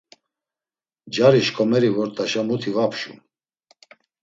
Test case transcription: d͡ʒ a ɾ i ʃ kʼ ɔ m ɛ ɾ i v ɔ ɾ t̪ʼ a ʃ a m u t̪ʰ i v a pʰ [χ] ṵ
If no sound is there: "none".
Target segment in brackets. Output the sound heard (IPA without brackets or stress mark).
ʃ